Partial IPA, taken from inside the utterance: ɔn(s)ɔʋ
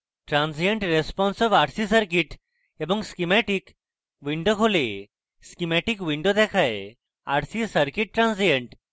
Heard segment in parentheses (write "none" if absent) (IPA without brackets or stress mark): s